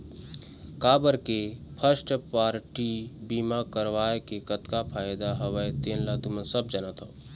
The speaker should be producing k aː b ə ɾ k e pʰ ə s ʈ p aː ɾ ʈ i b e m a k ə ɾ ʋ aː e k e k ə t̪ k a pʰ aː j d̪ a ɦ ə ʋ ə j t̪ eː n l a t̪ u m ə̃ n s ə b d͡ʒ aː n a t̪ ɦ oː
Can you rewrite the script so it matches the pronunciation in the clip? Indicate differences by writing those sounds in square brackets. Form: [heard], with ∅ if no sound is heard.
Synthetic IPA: k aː b ə ɾ k e pʰ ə s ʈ p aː ɾ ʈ i b [i] m a k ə ɾ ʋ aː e k e k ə t̪ k a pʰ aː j d̪ a ɦ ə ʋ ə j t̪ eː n l a t̪ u m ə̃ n s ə b d͡ʒ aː n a t̪ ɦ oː